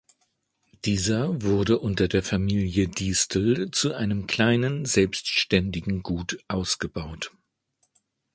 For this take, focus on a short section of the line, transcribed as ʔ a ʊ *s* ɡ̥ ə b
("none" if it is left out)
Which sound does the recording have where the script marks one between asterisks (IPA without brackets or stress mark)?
s